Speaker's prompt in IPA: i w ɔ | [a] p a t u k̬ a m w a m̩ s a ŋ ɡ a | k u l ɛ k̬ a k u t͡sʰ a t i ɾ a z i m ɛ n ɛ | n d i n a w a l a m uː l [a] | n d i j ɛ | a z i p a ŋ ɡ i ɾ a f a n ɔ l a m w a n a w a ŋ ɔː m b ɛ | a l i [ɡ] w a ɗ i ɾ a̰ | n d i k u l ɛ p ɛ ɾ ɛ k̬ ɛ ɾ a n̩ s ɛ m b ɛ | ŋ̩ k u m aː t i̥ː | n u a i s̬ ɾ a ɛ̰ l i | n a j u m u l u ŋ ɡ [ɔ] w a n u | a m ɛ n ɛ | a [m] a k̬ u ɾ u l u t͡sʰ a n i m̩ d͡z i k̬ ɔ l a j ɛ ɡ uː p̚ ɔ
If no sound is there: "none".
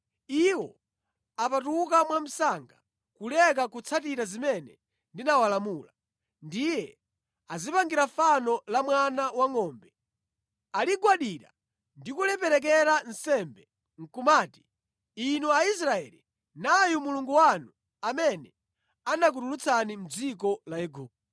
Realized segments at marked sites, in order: a, a, ɡ, u, n

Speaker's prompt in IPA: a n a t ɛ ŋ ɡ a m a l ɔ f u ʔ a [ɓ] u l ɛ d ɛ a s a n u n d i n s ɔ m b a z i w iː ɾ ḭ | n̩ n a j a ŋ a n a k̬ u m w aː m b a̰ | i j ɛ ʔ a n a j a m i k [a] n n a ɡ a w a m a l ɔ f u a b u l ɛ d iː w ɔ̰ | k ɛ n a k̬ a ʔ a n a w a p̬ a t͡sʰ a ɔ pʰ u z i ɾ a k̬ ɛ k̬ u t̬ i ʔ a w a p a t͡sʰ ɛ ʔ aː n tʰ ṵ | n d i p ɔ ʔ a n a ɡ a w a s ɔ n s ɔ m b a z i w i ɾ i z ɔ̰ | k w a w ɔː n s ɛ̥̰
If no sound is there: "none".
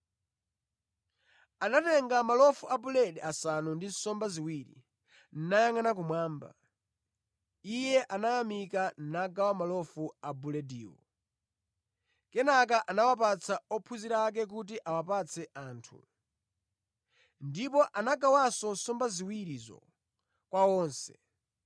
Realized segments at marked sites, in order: b, a

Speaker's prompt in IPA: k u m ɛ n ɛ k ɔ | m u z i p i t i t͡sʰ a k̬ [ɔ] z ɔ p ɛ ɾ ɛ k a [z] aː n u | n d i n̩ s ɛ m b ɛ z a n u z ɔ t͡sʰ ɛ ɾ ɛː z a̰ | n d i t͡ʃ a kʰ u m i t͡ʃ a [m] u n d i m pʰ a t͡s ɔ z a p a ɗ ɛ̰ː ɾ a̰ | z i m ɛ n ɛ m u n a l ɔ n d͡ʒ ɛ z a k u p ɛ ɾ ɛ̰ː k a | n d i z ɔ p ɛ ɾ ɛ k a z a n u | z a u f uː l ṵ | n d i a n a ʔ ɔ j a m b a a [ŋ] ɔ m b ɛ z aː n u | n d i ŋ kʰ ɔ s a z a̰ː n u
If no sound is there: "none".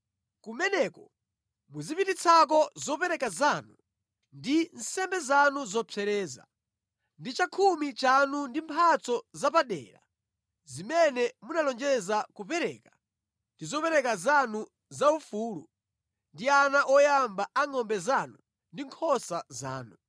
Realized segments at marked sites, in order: ɔ, z, n, ŋ

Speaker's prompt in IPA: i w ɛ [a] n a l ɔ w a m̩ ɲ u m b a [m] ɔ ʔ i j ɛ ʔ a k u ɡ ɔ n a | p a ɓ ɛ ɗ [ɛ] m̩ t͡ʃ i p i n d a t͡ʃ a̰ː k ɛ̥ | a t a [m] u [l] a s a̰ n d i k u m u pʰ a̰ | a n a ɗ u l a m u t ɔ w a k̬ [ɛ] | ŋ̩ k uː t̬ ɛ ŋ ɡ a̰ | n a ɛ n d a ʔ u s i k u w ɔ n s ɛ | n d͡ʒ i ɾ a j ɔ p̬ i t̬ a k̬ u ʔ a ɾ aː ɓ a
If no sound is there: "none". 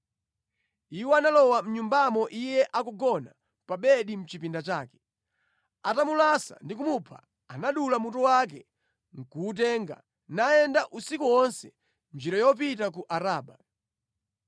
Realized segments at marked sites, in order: a, m, i, m, l, ɛ

